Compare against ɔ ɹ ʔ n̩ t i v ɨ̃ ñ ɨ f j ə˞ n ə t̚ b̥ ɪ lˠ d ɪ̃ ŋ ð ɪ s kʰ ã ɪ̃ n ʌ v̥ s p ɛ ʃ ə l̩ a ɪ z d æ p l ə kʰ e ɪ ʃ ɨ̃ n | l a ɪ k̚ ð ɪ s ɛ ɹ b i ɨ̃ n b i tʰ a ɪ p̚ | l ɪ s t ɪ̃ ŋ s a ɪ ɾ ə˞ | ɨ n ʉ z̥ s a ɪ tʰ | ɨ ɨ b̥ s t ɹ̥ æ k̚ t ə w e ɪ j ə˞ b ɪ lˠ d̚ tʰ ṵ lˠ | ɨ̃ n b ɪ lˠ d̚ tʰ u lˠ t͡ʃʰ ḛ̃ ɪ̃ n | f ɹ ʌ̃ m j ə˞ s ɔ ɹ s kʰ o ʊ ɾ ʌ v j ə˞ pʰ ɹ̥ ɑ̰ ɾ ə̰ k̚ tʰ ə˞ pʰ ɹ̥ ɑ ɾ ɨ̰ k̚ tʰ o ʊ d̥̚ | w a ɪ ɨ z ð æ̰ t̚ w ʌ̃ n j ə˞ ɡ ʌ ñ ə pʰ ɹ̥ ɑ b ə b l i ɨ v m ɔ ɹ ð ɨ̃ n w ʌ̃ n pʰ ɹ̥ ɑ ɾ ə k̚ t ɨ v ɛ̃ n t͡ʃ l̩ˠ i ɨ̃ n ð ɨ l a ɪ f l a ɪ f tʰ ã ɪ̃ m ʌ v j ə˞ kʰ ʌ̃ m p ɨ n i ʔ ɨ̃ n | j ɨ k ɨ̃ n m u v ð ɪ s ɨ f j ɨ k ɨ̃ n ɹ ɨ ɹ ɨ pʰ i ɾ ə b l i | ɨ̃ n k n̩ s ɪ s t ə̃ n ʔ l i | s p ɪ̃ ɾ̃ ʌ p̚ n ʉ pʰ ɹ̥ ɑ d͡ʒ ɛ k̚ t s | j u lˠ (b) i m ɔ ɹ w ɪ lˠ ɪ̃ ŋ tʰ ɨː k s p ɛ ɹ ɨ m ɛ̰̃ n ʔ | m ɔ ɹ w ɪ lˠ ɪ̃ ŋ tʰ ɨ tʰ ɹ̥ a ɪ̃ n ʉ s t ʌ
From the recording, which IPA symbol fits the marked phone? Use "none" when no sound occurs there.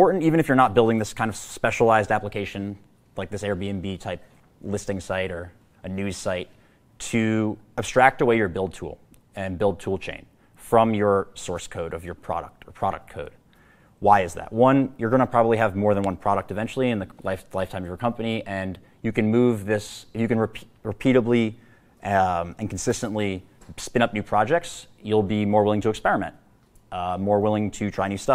b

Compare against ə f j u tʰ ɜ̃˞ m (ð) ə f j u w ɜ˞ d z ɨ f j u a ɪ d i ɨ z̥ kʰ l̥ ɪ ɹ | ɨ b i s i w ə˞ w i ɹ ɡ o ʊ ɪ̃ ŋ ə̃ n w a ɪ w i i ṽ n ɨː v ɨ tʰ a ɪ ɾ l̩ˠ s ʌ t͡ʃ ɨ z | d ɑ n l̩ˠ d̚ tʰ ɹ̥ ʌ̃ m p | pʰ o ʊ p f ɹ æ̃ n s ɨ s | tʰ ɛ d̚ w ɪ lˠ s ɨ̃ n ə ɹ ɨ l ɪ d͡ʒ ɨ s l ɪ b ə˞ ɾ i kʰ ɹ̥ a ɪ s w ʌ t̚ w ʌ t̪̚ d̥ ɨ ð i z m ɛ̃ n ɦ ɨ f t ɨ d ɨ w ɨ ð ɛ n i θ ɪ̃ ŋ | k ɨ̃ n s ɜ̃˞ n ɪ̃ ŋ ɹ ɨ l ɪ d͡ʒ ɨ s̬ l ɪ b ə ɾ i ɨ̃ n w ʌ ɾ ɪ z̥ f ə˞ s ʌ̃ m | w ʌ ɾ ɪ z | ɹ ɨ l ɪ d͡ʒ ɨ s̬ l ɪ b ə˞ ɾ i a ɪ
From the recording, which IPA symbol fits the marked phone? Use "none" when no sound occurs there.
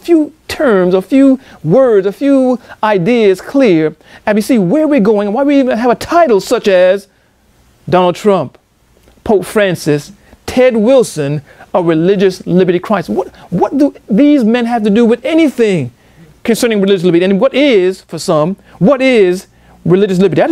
z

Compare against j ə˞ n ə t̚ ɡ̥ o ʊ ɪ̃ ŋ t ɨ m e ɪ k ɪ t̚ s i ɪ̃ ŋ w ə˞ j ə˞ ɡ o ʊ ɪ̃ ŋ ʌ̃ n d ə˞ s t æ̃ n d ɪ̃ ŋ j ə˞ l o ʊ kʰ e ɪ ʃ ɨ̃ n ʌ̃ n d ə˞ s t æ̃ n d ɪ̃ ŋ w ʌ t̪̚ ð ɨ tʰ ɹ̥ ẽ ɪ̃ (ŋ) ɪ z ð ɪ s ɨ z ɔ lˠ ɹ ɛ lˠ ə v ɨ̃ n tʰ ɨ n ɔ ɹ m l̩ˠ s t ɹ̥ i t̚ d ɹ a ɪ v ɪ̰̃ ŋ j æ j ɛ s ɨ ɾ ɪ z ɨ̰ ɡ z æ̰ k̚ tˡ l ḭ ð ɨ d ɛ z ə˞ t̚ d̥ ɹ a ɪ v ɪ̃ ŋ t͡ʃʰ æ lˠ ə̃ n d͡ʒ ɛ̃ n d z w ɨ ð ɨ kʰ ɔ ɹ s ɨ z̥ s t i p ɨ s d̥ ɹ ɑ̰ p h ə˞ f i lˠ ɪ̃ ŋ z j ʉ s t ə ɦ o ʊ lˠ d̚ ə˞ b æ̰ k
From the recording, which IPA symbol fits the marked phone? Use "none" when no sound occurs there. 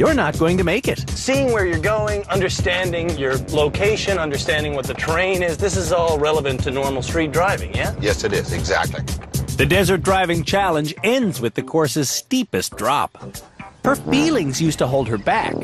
n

